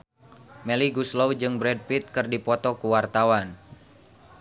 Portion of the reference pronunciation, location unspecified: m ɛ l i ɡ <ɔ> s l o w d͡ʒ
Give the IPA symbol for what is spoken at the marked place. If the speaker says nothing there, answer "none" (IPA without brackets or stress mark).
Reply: u